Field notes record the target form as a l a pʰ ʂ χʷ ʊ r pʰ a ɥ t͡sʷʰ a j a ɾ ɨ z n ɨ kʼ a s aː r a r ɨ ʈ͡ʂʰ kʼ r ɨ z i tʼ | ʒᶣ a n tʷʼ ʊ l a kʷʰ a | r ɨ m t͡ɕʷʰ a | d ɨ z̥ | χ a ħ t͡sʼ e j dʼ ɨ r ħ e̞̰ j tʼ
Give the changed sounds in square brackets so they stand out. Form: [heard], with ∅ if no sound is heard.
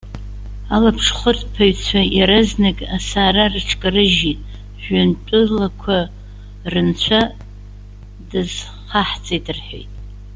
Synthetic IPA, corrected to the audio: a l a pʰ ʂ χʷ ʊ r pʰ a ɥ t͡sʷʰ a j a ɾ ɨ z n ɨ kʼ a s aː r a r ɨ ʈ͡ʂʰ kʼ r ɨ [ʒ] i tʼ | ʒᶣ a n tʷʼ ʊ l a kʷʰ a | r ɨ [n] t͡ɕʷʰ a | d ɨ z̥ | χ a ħ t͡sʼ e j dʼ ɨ r ħ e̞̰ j tʼ